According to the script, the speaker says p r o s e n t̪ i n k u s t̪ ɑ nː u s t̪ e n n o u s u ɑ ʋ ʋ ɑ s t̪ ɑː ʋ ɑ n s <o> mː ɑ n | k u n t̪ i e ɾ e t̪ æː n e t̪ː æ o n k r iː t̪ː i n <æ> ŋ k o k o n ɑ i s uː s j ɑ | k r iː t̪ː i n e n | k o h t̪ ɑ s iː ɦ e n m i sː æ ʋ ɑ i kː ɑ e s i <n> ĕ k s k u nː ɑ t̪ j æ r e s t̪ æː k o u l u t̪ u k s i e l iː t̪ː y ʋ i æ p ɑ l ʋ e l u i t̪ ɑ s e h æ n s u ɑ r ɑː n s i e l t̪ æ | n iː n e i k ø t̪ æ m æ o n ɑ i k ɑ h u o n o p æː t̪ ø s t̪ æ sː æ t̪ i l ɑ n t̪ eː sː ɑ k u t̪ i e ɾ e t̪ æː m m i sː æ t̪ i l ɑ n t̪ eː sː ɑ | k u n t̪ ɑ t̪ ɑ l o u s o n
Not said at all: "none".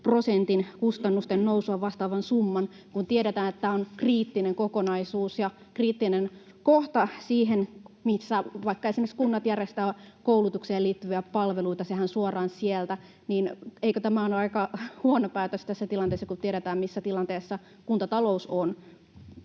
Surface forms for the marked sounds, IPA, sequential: u, e, m

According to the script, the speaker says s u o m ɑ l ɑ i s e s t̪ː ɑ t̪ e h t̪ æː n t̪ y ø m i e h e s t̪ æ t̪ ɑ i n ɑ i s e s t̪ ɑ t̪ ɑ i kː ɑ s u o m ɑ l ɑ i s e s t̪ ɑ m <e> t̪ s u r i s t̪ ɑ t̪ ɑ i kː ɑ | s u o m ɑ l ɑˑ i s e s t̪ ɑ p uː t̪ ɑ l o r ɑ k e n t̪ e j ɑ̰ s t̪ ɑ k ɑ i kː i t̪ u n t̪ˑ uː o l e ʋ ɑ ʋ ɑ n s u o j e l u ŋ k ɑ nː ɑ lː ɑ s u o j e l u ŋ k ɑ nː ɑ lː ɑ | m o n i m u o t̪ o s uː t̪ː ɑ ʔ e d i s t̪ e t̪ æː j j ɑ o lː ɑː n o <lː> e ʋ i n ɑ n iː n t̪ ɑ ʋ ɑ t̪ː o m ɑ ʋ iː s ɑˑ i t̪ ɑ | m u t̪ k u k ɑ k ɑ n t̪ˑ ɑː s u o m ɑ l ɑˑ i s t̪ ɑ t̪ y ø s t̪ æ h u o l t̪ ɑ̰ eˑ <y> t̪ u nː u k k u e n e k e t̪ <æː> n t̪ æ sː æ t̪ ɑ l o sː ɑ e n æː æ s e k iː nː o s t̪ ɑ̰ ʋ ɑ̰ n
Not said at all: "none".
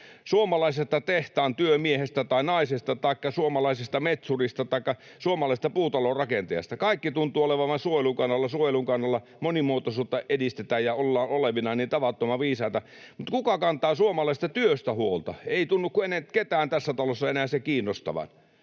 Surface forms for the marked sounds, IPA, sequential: e, l, i, æː

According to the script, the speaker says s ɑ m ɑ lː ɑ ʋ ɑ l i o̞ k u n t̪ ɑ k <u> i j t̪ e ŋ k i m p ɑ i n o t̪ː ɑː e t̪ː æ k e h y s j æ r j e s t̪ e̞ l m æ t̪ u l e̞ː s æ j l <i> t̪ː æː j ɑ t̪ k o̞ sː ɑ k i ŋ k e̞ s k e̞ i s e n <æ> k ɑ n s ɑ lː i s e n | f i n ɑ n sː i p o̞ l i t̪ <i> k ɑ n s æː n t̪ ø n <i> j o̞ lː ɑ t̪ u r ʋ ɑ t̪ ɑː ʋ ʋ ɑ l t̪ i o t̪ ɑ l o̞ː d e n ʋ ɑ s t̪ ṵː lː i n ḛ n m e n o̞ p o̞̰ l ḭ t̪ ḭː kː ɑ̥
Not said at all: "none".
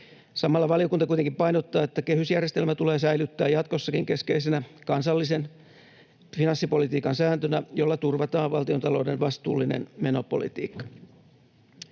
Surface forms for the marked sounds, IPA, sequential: u, y, æ, iː, æ

